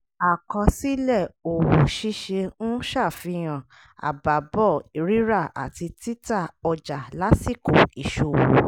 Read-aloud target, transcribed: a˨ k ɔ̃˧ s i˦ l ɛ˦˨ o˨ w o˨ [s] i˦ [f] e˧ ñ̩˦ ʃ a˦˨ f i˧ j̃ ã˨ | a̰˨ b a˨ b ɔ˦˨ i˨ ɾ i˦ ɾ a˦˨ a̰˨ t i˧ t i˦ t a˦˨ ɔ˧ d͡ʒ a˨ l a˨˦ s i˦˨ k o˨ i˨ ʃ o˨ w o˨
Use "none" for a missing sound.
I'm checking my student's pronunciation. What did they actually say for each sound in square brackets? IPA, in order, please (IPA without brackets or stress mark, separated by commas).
ʃ, ʃ